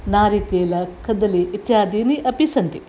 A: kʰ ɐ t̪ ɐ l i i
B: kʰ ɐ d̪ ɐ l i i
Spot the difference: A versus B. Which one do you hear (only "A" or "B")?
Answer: B